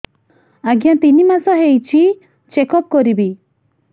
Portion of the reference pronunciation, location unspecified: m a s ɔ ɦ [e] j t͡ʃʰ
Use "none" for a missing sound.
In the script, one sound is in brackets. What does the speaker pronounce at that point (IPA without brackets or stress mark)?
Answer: e